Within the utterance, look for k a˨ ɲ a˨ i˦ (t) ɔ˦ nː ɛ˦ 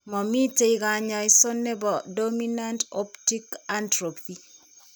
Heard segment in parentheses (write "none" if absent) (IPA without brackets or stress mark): s